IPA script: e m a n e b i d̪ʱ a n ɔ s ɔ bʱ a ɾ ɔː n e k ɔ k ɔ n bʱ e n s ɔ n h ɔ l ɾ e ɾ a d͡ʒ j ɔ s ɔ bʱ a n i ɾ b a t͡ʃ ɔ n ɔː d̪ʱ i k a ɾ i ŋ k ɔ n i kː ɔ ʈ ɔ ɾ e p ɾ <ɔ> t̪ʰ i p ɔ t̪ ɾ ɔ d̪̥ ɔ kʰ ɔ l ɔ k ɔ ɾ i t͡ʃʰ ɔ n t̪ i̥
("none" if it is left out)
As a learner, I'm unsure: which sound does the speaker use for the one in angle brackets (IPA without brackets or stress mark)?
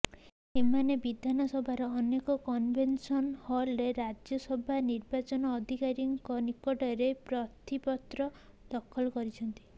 ɔ